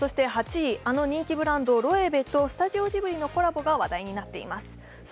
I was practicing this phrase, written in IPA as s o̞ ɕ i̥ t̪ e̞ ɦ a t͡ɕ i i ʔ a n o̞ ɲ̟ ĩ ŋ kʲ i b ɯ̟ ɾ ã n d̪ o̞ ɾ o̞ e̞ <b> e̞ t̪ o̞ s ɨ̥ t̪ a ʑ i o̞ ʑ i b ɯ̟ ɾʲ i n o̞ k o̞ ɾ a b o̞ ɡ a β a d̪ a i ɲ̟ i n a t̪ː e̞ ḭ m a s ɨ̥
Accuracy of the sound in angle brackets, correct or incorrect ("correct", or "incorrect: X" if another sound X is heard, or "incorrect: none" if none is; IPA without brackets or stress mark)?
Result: correct